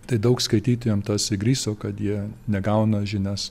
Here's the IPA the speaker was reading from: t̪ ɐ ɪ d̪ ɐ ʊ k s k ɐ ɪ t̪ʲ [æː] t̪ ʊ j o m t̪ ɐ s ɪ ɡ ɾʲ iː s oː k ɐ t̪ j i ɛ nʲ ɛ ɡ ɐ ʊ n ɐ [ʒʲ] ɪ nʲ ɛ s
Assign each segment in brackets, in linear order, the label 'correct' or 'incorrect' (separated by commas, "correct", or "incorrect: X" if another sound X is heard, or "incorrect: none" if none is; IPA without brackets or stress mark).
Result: incorrect: iː, correct